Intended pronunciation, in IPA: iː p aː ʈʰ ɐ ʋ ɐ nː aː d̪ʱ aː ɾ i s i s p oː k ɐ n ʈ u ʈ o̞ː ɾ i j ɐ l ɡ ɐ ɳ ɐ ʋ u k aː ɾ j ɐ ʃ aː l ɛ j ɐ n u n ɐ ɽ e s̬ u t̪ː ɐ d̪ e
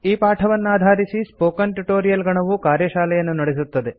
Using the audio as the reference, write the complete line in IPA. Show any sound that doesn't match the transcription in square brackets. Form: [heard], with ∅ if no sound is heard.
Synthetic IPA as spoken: iː p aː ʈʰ ɐ ʋ ɐ nː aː d̪ʱ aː ɾ i s i s p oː k ɐ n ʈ u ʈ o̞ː ɾ i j ɐ l ɡ ɐ ɳ ɐ ʋ u k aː ɾ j ɐ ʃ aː l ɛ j ɐ [nː] u n ɐ ɽ e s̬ u t̪ː ɐ d̪ e